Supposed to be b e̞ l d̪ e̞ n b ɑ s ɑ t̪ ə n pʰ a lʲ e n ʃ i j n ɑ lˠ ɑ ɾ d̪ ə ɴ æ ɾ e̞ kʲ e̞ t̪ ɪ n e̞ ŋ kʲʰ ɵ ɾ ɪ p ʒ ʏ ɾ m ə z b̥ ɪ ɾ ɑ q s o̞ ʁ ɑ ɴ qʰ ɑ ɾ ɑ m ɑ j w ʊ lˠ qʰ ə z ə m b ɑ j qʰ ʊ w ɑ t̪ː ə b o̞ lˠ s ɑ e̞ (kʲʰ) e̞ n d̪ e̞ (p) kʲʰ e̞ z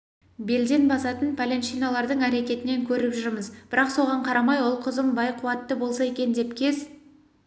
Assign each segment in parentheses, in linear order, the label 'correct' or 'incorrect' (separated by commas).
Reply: incorrect, correct